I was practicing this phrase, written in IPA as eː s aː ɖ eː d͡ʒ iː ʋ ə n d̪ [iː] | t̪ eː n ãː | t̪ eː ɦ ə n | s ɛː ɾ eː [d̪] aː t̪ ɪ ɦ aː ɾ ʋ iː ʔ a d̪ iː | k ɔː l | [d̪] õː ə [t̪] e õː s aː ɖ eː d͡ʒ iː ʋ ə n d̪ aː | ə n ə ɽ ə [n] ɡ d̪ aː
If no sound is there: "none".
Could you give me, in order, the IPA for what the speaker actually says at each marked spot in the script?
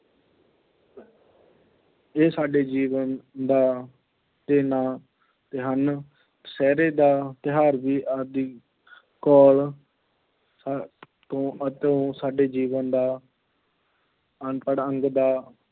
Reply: aː, d̪, t̪, t̪, ŋ

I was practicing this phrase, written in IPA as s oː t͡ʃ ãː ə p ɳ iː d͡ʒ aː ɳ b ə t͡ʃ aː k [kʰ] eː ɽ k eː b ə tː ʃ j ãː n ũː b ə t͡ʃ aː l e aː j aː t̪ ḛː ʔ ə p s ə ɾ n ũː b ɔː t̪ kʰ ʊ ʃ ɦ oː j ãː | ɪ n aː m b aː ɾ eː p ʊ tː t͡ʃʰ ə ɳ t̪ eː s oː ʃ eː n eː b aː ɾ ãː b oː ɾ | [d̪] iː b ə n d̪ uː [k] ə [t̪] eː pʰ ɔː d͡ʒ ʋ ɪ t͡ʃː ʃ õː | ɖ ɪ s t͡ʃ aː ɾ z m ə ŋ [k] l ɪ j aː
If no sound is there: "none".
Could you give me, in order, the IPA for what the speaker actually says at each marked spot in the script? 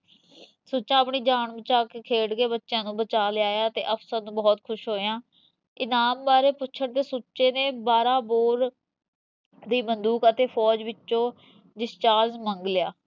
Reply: kʰ, d̪, k, t̪, ɡ

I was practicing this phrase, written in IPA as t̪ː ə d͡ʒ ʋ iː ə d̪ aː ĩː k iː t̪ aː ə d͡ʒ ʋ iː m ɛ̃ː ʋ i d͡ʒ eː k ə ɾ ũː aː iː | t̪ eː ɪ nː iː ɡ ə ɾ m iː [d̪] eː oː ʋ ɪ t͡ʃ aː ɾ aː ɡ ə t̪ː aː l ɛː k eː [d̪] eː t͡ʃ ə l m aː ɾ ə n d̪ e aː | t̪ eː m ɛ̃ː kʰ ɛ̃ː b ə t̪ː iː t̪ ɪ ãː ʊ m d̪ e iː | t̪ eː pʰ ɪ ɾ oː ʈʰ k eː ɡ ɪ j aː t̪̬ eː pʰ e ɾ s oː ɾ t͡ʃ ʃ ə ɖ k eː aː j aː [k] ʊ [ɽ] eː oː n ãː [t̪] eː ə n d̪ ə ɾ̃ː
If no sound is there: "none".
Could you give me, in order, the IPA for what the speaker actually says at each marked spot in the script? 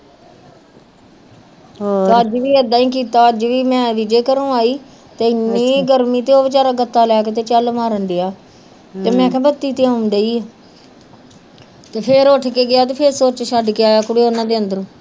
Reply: t̪, t̪, k, ɽ, d̪

